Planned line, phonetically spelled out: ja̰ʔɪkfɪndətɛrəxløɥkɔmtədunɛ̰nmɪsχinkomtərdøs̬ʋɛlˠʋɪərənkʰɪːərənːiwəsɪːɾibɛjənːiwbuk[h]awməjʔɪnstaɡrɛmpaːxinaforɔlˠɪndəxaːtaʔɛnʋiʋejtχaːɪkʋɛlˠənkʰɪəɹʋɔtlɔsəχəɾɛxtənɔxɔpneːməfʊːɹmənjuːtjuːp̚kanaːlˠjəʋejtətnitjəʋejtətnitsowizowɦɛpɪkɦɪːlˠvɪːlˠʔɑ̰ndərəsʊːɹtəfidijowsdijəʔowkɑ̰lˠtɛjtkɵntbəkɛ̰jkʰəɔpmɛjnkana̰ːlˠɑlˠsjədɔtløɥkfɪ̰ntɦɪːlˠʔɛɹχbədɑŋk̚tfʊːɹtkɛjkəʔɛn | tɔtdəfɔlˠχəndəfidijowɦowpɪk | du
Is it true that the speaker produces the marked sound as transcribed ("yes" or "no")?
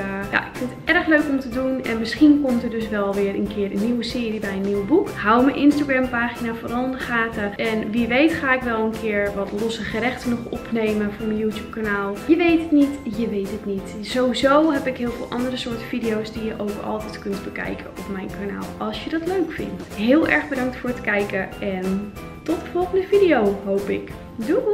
yes